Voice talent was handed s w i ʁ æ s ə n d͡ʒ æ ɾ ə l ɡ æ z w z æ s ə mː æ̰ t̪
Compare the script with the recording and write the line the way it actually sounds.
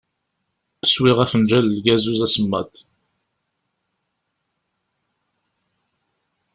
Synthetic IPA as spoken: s w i ʁ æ f ə n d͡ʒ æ l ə l ɡ æ z u z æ s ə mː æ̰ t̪